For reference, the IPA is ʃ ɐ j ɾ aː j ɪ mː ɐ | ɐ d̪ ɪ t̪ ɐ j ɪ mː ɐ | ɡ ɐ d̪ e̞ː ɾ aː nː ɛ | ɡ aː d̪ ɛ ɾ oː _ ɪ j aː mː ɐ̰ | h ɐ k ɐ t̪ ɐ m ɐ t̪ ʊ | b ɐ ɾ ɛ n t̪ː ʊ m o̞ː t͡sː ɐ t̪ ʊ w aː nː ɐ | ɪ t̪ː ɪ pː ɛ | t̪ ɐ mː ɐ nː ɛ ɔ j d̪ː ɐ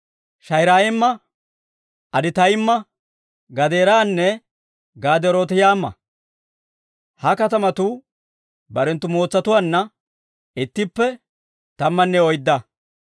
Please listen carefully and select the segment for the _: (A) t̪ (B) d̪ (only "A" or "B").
A